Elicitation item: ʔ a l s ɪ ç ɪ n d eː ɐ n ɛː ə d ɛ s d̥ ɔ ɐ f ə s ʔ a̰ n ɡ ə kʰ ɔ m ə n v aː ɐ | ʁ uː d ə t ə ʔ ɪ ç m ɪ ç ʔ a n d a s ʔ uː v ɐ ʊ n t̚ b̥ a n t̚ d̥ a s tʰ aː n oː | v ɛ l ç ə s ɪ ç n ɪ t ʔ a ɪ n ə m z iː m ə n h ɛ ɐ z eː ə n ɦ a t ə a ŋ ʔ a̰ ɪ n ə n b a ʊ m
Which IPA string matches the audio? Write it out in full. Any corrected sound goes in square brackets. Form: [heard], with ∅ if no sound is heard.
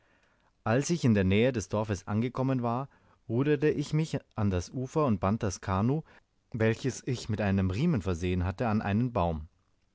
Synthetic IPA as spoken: ʔ a l s ɪ ç ɪ n d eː ɐ n ɛː ə d ɛ s d̥ ɔ ɐ f ə s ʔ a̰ n ɡ ə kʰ ɔ m ə n v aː ɐ | ʁ uː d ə t ə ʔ ɪ ç m ɪ ç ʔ a n d a s ʔ uː [f] ɐ ʊ n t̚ b̥ a n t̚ d̥ a s [kʰ] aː n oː | v ɛ l ç ə s ɪ ç [m] ɪ t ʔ a ɪ n ə m [ʁ] iː m ə n [f] ɛ ɐ z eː ə n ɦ a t ə a [n] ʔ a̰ ɪ n ə n b a ʊ m